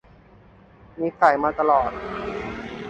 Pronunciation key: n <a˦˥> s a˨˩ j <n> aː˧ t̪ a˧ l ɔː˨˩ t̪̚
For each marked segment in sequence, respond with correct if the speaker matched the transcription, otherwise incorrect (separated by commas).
incorrect, incorrect